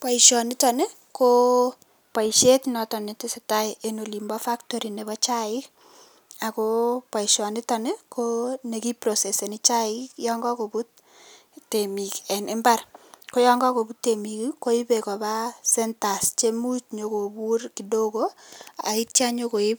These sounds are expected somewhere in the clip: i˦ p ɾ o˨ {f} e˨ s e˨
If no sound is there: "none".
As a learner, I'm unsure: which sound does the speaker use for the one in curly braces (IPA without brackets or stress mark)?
s